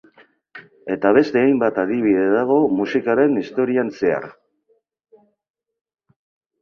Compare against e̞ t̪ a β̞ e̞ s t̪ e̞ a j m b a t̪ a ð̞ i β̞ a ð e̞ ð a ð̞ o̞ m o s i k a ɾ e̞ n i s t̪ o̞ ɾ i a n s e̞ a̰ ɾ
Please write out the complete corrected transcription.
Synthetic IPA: e̞ t̪ a β̞ e̞ s t̪ e̞ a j m b a t̪ a ð̞ i β̞ i ð e̞ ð a ɣ̞ o̞ m u s i k a ɾ e̞ n i s t̪ o̞ ɾ i a n s e̞ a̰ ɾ